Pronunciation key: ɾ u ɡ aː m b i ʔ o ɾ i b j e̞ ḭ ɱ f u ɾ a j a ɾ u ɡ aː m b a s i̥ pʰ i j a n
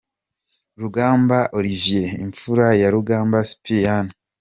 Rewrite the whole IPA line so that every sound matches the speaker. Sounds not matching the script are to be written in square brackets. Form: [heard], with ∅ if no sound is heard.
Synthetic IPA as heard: ɾ u ɡ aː m b [a] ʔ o ɾ i [v] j e̞ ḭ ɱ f u ɾ a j a ɾ u ɡ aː m b a s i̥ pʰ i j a n